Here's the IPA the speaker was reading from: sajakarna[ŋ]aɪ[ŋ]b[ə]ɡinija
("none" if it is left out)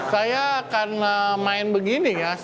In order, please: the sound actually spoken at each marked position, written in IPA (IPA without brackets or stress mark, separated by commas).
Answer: m, n, ə